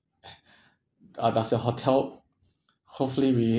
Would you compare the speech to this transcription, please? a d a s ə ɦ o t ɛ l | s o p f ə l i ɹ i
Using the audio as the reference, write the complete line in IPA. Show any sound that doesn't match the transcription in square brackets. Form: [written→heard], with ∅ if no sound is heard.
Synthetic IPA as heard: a d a s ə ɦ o [t→tʰ] ɛ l | [s→h] o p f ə l i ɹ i